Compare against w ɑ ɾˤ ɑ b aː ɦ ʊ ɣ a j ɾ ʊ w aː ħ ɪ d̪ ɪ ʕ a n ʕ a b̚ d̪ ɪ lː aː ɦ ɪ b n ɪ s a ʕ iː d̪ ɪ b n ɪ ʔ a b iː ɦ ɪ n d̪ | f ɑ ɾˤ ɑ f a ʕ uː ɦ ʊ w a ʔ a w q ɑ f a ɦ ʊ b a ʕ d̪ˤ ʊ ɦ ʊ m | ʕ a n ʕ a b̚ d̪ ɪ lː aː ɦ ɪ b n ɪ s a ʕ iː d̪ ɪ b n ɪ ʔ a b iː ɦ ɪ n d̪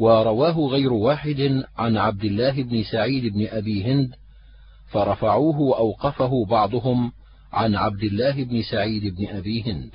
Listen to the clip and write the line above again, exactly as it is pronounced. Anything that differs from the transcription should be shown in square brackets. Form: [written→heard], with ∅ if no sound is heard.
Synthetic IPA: w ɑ ɾˤ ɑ [b→w] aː ɦ ʊ ɣ a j ɾ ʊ w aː ħ ɪ d̪ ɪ ʕ a n ʕ a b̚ d̪ ɪ lː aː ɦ ɪ b n ɪ s a ʕ iː d̪ ɪ b n ɪ ʔ a b iː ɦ ɪ n d̪ | f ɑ ɾˤ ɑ f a ʕ uː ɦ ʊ w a ʔ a w q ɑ f a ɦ ʊ b [a→ɑ] ʕ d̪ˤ ʊ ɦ ʊ m | ʕ a n ʕ a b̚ d̪ ɪ lː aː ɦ ɪ b n ɪ s a ʕ iː d̪ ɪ b n ɪ ʔ a b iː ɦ ɪ n d̪